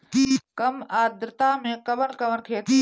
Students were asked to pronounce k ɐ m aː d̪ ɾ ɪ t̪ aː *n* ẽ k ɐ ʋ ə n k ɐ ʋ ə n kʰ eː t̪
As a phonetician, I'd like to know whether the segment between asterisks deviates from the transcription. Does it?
yes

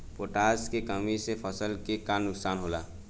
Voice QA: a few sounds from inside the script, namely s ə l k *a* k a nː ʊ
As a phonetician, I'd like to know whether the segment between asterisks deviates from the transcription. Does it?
yes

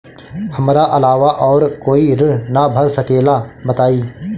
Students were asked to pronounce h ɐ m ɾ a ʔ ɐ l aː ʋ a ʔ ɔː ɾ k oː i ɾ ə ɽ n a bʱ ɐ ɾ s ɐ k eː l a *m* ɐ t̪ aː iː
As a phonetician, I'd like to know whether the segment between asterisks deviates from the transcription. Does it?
yes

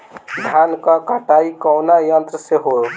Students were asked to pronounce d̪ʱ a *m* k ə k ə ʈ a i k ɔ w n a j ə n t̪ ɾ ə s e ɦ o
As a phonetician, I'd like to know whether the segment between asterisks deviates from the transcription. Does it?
yes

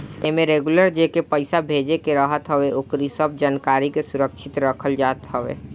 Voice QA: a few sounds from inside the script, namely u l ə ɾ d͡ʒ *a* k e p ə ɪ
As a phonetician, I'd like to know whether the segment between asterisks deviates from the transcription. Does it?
yes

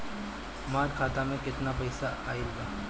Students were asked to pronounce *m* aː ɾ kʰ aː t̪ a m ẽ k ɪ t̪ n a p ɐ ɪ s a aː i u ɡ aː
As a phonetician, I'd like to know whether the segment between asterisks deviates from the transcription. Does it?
no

